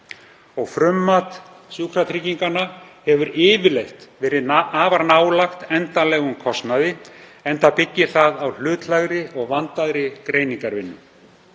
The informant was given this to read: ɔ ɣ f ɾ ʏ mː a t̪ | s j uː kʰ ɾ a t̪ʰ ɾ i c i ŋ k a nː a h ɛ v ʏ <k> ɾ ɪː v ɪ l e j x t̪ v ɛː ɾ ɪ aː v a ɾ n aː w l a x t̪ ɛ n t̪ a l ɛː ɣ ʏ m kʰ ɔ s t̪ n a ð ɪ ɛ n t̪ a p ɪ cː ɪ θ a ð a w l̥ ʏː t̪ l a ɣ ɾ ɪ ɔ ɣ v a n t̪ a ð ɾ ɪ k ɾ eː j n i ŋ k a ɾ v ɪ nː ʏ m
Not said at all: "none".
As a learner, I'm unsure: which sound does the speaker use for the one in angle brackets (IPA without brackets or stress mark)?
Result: none